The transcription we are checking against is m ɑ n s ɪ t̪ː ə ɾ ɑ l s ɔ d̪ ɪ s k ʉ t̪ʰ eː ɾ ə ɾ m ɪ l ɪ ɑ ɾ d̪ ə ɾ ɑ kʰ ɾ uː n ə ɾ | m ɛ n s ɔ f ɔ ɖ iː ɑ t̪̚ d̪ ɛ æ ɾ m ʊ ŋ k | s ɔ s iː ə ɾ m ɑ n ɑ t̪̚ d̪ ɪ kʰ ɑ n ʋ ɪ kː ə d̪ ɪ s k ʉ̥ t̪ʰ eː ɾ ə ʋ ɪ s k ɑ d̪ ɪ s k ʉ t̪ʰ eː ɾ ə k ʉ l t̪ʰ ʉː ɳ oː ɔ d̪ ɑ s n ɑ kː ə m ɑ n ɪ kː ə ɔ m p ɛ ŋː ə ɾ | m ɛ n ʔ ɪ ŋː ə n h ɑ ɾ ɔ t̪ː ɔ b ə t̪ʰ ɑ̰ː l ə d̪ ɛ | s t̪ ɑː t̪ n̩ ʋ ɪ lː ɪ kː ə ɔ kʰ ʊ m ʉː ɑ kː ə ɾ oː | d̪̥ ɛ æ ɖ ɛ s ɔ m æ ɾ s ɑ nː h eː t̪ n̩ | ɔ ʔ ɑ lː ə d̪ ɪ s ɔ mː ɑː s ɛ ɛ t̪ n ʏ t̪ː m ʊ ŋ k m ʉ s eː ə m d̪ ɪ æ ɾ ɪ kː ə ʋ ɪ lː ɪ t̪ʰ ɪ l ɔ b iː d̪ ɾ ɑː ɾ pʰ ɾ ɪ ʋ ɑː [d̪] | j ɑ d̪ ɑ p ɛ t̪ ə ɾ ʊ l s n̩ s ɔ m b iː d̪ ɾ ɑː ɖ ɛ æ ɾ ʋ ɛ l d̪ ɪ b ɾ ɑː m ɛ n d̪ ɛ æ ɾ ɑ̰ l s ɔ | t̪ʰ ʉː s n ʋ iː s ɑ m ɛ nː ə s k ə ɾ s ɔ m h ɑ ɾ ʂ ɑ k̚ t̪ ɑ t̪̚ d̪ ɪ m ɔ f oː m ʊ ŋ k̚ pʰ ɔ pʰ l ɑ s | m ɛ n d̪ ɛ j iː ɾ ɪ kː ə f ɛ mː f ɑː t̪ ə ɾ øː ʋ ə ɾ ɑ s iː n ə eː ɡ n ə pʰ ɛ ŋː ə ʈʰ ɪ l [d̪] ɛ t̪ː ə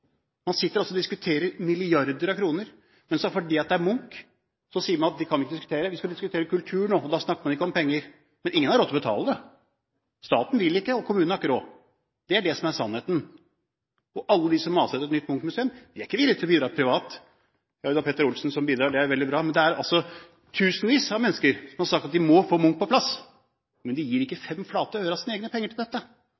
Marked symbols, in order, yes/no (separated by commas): no, yes